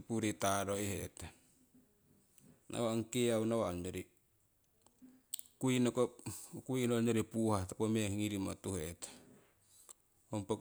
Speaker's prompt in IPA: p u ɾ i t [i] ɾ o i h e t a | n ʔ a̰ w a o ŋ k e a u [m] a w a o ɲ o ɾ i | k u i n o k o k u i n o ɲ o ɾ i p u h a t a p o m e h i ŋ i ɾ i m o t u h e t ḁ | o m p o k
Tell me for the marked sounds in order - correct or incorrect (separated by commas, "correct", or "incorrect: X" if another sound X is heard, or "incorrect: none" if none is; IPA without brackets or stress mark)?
incorrect: a, incorrect: n